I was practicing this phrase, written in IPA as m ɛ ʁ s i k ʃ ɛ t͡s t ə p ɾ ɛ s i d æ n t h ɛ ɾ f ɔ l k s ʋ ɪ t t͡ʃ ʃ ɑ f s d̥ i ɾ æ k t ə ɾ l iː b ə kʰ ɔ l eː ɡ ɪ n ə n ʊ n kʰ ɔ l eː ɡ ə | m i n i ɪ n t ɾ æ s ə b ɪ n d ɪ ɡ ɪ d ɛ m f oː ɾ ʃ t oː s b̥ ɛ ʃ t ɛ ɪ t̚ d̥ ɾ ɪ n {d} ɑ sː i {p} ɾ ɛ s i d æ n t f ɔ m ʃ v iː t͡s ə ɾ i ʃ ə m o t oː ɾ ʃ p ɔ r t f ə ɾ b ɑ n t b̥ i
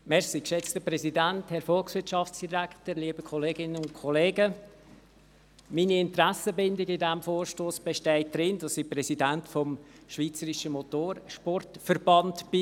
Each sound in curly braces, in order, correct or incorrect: correct, correct

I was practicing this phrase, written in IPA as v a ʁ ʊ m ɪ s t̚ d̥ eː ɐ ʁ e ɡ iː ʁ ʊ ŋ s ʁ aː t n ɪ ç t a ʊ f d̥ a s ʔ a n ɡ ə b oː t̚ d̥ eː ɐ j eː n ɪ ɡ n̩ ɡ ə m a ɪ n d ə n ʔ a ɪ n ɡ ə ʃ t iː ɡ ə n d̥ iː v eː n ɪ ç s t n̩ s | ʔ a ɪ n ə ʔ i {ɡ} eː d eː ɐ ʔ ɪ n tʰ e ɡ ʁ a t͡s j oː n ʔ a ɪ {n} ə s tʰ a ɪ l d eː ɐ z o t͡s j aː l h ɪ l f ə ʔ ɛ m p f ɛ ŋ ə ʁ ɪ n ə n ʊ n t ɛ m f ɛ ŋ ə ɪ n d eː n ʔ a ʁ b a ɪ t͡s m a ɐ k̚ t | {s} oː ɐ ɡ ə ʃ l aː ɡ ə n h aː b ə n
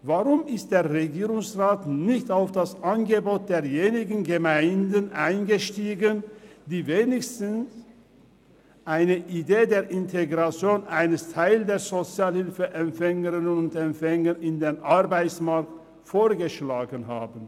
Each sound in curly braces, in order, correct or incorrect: incorrect: d, correct, incorrect: f

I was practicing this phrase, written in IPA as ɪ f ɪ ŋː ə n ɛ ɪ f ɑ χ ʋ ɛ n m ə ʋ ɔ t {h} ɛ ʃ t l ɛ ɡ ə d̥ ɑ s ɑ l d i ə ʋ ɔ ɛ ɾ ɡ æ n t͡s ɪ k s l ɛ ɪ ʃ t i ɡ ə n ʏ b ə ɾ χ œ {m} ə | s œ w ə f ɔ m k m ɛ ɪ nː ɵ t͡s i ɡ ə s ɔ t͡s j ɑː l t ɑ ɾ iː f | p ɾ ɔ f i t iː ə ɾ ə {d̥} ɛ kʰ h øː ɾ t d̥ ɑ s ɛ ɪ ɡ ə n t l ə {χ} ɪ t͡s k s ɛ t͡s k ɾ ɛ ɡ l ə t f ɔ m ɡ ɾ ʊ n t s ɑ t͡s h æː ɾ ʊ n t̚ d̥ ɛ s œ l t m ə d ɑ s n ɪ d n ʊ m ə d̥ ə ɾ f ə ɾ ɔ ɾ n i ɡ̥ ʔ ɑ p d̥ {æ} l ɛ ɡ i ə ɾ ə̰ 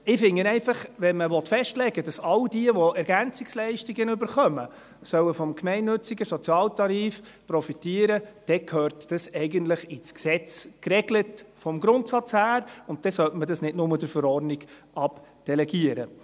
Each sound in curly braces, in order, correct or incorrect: incorrect: f, correct, correct, correct, incorrect: ɛ

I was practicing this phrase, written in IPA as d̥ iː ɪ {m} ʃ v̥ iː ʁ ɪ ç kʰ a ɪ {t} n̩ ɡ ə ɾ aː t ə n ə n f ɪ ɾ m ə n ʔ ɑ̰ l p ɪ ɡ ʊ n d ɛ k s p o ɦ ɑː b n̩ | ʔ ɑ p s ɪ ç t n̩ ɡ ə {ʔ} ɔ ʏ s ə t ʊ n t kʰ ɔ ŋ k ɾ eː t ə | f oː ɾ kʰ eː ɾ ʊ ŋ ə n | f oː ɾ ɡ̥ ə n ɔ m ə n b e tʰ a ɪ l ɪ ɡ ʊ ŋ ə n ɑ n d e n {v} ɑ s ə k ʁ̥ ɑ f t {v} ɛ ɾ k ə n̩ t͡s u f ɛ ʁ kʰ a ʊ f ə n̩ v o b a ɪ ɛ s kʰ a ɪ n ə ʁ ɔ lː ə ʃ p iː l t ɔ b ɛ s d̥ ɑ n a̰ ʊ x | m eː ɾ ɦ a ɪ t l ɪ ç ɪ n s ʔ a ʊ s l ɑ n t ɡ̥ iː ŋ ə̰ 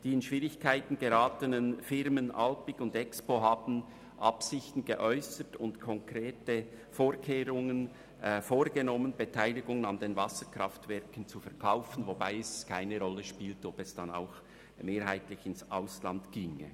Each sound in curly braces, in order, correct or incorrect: incorrect: n, correct, correct, correct, correct

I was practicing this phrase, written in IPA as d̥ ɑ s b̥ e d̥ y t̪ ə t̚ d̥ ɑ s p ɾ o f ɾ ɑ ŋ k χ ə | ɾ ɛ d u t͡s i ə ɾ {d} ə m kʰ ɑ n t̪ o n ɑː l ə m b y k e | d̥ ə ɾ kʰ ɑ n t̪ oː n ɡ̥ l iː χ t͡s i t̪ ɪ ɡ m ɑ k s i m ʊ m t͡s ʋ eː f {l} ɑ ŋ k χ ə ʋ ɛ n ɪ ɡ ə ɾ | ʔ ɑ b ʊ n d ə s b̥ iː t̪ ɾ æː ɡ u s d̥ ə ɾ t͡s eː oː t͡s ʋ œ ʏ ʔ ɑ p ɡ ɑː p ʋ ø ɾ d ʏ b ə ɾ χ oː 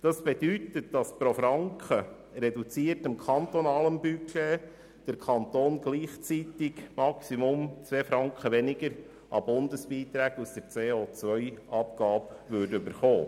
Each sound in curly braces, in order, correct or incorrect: incorrect: t, incorrect: ɾ

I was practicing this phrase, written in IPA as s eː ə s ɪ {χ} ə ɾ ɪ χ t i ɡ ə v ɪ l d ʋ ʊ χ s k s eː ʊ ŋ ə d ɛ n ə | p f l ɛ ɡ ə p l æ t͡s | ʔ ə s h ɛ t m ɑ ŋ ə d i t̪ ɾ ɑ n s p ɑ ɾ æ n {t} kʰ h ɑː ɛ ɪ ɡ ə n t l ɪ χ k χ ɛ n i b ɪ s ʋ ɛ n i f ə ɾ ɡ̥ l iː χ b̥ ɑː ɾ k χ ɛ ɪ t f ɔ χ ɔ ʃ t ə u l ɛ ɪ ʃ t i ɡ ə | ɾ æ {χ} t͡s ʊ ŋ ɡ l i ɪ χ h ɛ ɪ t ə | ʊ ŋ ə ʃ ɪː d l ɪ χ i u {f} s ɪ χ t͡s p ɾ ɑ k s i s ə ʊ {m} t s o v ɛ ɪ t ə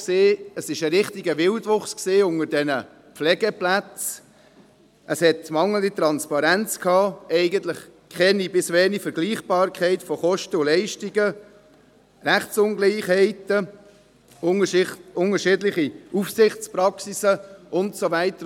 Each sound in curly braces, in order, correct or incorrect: incorrect: ʃ, incorrect: t͡s, correct, correct, incorrect: n

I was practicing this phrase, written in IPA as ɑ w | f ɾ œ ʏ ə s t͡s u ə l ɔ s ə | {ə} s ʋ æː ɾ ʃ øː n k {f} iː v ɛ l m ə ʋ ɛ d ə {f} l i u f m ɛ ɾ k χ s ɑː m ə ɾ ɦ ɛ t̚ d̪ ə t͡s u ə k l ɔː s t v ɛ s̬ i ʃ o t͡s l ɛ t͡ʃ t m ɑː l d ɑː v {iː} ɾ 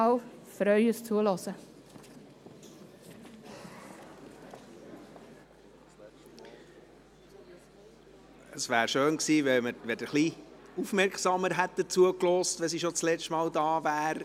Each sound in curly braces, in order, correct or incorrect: correct, incorrect: s, incorrect: χ, incorrect: æː

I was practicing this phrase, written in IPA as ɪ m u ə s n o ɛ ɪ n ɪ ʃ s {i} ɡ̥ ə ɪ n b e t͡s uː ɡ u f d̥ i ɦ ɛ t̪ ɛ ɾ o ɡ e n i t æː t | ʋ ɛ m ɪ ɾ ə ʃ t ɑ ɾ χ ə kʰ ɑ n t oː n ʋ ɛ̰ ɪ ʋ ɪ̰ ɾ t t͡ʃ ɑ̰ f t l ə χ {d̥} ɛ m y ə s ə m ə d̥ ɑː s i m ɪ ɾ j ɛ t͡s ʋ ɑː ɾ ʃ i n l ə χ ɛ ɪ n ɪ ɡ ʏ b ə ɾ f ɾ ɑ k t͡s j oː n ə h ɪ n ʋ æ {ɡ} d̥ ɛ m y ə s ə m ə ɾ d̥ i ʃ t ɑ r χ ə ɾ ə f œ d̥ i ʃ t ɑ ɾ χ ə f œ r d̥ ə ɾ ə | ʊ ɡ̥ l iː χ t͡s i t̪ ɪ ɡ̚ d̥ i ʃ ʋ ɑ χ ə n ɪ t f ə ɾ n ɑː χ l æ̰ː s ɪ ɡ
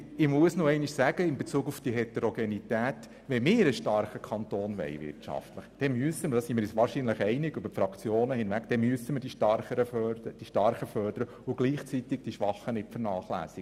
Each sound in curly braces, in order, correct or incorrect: incorrect: æ, correct, incorrect: k

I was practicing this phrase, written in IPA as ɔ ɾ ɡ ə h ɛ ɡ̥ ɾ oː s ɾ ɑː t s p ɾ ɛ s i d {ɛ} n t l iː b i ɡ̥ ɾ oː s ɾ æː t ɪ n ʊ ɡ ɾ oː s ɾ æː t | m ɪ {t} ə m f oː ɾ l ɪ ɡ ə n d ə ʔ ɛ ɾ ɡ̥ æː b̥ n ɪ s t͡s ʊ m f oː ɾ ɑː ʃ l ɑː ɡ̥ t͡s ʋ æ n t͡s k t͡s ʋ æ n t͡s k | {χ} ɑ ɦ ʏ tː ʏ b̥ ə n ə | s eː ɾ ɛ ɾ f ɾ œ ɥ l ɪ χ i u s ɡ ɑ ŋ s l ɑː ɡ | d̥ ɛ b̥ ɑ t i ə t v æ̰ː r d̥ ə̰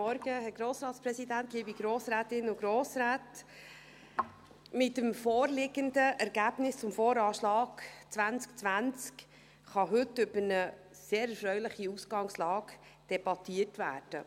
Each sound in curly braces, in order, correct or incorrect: incorrect: æ, correct, correct

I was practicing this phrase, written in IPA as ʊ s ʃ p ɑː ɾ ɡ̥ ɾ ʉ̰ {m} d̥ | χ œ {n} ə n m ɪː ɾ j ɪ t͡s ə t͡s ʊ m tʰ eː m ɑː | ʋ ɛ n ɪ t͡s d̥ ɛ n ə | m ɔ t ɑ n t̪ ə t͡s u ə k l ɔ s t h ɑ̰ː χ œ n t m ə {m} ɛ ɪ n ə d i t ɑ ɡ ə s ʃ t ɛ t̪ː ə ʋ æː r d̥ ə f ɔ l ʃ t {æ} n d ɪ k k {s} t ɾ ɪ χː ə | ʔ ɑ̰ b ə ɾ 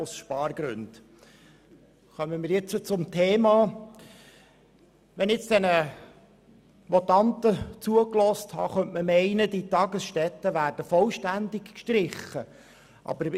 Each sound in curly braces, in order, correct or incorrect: incorrect: n, incorrect: m, correct, correct, incorrect: ʃ

